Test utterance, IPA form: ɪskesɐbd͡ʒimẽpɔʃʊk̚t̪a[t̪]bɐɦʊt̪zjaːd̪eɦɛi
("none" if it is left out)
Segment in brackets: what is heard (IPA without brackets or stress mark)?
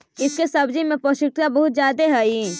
none